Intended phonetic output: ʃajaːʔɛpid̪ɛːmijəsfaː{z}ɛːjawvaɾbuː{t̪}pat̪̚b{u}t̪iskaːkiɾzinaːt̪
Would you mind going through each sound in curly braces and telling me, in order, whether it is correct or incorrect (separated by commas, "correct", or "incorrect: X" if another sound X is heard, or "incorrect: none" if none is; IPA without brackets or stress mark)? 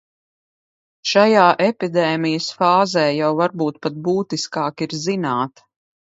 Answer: correct, correct, incorrect: uː